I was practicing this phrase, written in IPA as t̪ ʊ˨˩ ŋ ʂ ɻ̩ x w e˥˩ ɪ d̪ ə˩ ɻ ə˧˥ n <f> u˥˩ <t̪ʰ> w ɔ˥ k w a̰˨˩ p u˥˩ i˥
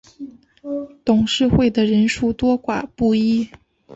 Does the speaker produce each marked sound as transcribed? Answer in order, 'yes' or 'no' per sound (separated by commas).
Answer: no, no